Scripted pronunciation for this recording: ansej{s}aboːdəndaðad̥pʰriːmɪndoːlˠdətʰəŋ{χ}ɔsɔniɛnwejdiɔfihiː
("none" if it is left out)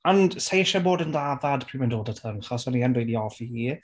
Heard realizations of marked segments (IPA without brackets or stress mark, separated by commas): ʃ, χ